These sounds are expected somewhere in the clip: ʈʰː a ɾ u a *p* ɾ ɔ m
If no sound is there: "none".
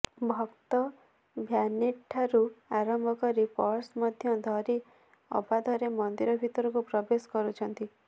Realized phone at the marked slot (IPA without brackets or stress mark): none